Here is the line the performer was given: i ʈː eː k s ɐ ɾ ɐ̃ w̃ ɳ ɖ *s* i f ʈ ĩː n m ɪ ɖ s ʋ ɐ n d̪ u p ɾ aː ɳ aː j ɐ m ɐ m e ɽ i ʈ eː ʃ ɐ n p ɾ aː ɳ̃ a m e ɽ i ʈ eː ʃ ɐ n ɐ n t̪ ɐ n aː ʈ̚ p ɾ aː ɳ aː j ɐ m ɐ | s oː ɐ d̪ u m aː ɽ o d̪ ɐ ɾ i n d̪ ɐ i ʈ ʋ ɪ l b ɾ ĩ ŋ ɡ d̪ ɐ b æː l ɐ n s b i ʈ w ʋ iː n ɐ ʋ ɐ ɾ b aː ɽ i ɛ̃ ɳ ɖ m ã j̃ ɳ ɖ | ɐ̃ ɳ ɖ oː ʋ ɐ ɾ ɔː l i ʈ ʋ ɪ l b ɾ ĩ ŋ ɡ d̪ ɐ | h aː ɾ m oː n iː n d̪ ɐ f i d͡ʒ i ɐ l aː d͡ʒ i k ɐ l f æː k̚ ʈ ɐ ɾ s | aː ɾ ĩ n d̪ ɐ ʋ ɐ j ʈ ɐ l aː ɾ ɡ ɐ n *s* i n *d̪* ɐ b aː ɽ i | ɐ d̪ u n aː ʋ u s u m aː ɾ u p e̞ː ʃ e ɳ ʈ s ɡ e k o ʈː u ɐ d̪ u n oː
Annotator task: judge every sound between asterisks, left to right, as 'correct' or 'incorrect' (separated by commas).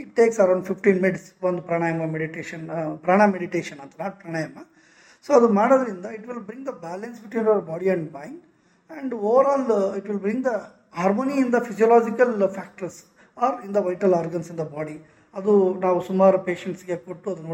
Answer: incorrect, correct, correct